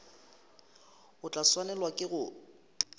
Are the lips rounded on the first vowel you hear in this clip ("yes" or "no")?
yes